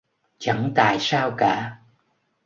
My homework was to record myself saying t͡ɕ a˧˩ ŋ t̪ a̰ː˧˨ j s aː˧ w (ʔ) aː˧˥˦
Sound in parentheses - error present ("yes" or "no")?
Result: yes